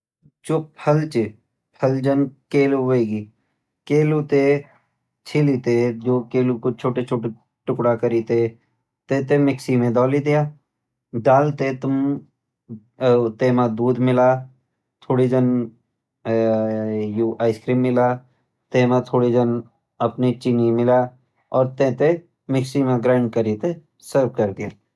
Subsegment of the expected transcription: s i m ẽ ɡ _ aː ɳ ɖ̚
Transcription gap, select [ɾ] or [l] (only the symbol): ɾ